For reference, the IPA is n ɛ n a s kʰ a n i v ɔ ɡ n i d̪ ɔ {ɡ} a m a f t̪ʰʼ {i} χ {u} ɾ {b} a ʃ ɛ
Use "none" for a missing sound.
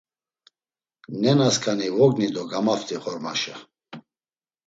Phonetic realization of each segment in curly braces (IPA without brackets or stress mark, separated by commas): ɡ, i, ɔ, m